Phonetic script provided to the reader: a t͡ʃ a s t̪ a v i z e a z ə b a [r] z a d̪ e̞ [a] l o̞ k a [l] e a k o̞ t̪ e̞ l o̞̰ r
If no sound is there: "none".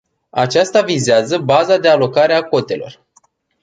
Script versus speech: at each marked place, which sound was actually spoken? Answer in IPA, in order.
none, a, ɾ

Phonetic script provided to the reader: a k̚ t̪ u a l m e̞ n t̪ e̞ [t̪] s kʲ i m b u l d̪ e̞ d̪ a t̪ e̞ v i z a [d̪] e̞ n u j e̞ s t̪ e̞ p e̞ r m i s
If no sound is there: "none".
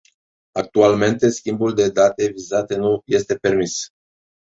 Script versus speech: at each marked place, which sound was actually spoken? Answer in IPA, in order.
none, t̪

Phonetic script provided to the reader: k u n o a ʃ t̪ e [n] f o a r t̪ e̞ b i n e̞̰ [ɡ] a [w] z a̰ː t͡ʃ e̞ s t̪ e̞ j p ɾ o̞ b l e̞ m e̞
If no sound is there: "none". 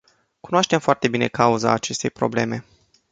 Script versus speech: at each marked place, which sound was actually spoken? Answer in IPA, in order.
m, k, u

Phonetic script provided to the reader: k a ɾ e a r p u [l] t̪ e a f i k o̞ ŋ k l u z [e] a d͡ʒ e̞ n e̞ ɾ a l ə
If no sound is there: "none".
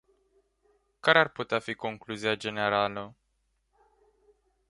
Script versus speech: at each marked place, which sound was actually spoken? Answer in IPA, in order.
none, i

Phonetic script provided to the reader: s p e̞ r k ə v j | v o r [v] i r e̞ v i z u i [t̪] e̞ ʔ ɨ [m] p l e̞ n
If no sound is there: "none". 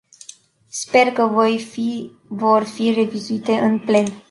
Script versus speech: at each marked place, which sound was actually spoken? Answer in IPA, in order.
f, t̪, n

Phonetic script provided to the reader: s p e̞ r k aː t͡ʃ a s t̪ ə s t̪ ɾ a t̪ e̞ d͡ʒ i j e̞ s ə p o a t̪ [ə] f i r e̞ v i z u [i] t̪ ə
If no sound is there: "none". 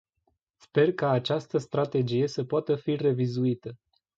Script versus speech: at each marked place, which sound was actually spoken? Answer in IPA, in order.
ə, i

